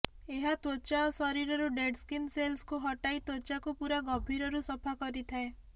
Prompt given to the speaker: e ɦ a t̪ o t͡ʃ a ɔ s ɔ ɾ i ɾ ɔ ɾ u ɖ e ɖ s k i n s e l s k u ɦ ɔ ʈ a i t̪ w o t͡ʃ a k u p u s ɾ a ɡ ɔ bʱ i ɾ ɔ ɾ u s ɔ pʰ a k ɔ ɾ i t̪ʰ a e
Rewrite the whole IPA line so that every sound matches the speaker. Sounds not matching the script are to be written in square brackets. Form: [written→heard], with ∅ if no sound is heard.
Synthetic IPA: e ɦ a t̪ o t͡ʃ a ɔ s ɔ ɾ i ɾ ɔ ɾ u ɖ e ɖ s k i n s e l s k u ɦ ɔ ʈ a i t̪ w o t͡ʃ a k u p u [s→∅] ɾ a ɡ ɔ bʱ i ɾ ɔ ɾ u s ɔ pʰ a k ɔ ɾ i t̪ʰ a e